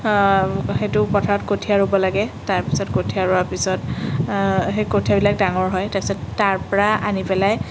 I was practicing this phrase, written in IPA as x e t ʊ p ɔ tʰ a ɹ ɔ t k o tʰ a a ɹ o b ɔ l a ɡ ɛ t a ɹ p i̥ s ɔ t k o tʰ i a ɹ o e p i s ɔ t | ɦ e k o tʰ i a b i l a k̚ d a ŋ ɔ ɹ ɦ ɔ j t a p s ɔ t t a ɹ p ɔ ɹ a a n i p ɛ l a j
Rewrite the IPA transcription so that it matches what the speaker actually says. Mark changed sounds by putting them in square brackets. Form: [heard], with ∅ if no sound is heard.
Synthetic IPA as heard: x e t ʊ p ɔ tʰ a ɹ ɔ t k o tʰ [i] a ɹ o b ɔ l a ɡ ɛ t a ɹ p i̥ s ɔ t k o tʰ i a ɹ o [a] p i s ɔ t | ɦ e k o tʰ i a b i l a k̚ d a ŋ ɔ ɹ ɦ ɔ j t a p s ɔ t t a ɹ p ɔ ɹ a a n i p ɛ l a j